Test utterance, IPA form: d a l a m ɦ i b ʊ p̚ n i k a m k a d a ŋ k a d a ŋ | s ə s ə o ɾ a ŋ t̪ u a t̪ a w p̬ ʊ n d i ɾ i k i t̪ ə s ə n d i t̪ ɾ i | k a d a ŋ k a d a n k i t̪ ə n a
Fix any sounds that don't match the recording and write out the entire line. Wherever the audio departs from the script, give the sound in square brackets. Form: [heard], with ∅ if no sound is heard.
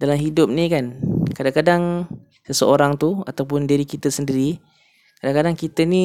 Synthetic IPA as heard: d a l a m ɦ i [d] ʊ p̚ n i k a [n] k a d a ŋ k a d a ŋ | s ə s ə o ɾ a ŋ t̪ u a t̪ a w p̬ ʊ n d i ɾ i k i t̪ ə s ə n d i [∅] ɾ i | k a d a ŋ k a d a [ŋ] k i t̪ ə n [i]